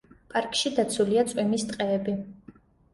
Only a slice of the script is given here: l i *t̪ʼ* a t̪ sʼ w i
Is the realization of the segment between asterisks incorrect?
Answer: yes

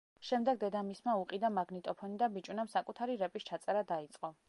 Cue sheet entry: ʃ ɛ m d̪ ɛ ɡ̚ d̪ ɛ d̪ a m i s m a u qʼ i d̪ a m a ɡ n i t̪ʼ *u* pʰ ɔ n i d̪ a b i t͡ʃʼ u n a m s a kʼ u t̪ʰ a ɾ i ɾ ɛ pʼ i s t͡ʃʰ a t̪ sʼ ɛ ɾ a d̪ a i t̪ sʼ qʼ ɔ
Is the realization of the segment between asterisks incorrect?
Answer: yes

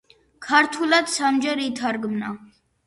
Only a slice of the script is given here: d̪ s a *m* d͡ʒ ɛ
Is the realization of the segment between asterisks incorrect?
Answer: no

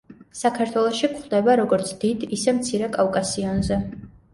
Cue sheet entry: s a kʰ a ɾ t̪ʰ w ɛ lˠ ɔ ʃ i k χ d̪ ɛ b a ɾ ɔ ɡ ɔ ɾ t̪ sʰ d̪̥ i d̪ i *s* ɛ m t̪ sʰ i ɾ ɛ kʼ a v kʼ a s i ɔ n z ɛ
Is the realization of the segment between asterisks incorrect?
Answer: no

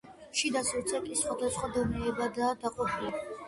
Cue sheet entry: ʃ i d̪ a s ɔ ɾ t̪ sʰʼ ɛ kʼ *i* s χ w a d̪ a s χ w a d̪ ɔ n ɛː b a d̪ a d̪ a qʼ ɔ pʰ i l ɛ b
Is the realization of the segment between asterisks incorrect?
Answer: no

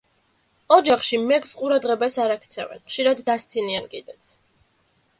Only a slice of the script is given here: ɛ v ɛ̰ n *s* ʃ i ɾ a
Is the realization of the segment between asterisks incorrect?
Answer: yes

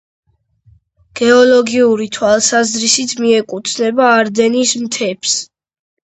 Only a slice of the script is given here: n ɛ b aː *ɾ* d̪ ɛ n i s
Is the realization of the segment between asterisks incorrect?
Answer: no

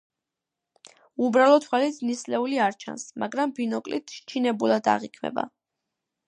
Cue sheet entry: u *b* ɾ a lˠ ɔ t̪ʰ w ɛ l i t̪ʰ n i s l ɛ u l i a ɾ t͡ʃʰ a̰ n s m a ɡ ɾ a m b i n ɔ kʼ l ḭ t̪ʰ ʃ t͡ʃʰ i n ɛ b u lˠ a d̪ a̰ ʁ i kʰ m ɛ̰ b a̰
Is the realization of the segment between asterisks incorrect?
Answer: no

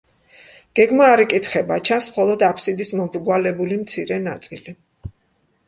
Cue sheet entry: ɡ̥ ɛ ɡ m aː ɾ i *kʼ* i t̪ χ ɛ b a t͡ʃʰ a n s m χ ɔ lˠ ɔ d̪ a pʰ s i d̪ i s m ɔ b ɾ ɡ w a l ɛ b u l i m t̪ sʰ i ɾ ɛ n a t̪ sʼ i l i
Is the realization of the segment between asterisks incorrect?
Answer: no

